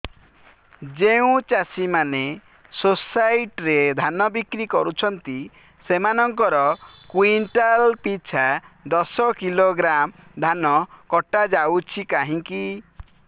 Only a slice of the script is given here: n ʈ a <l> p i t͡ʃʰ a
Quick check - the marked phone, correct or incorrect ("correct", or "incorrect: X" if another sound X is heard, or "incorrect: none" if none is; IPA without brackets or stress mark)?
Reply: correct